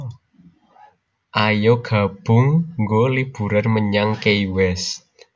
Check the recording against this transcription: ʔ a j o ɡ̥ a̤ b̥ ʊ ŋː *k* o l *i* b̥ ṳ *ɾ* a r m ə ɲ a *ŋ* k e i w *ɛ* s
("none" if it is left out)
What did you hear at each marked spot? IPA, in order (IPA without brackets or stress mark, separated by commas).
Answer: ɡ, i, ɾ, ŋ, ɛ